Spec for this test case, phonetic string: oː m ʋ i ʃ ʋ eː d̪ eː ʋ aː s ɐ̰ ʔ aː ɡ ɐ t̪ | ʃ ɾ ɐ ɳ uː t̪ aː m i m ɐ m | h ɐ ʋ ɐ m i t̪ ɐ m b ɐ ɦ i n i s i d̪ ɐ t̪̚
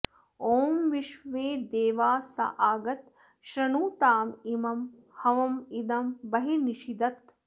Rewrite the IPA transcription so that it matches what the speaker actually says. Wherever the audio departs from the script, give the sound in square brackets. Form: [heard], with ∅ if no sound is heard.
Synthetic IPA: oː m ʋ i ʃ ʋ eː d̪ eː ʋ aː s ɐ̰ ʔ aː ɡ ɐ t̪ | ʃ ɾ ɐ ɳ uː t̪ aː m i m ɐ m | h ɐ ʋ ɐ m i [d̪] ɐ m b ɐ ɦ i n i [ʃ] i d̪ ɐ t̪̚